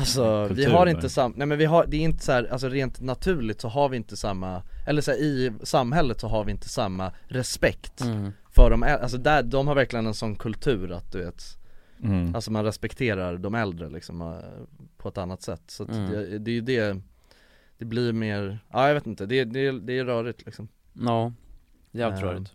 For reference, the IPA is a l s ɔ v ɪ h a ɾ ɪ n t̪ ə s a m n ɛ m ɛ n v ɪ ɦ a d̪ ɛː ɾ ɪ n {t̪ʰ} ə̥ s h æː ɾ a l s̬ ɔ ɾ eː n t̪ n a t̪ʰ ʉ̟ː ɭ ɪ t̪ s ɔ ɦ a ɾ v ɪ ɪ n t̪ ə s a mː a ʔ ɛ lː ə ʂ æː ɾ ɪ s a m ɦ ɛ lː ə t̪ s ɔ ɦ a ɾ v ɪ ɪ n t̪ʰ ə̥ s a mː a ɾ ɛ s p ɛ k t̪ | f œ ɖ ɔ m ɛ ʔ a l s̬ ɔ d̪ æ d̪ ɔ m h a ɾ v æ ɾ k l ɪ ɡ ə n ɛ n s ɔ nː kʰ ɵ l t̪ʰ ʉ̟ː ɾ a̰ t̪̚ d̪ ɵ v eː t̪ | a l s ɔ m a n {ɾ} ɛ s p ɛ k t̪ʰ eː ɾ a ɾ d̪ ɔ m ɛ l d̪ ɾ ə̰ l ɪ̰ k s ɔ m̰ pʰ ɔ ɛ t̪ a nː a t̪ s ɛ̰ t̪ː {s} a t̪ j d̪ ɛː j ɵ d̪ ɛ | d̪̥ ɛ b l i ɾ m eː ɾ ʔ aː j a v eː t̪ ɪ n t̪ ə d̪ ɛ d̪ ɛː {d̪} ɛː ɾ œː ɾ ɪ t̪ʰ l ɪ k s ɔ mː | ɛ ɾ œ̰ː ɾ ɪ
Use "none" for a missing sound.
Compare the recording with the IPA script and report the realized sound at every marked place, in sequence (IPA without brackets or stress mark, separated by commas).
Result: t̪, ɾ, s, d̪